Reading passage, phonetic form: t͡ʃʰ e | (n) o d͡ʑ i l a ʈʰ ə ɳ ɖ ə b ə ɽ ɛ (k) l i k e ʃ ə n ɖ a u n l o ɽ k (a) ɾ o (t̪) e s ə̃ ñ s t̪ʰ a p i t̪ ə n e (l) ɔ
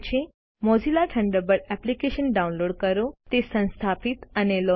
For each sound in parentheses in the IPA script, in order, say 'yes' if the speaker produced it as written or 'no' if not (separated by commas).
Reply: no, no, no, yes, yes